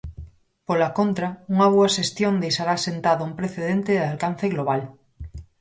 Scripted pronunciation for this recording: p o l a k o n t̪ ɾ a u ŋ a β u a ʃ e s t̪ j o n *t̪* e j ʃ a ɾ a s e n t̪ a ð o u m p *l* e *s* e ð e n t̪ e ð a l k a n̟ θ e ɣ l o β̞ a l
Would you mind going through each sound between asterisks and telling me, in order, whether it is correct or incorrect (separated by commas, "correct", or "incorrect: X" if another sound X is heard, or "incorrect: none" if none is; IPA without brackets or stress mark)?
incorrect: d̪, incorrect: ɾ, incorrect: θ